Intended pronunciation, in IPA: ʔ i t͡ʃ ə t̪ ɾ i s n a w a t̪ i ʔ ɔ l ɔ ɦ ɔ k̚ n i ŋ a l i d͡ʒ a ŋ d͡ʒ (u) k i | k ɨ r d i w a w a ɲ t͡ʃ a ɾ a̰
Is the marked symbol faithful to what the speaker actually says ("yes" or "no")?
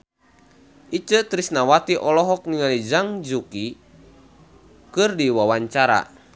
yes